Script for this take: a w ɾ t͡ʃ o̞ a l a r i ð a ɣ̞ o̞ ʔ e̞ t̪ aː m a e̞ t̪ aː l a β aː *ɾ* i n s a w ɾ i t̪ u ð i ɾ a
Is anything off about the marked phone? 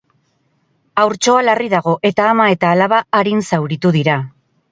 no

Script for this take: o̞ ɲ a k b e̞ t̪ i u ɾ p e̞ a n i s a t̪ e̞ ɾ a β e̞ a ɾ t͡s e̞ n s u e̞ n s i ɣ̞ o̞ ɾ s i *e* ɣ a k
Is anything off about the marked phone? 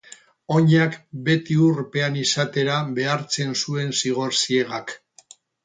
no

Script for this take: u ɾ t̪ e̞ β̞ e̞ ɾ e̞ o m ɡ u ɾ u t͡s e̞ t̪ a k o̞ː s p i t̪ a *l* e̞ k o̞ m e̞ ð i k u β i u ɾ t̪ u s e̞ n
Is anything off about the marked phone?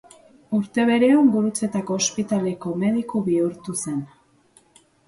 no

